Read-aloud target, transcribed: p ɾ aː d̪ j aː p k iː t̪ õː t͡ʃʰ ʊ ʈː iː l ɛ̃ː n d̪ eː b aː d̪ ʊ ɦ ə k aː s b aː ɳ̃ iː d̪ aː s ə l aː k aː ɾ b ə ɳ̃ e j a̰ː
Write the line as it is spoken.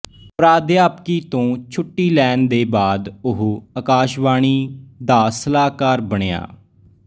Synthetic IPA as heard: p ɾ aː d̪ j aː p k iː t̪ õː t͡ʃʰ ʊ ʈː iː l ɛː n d̪ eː b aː d̪ ʊ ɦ ə k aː ʃ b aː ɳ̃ iː d̪ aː s ə l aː k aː ɾ b ə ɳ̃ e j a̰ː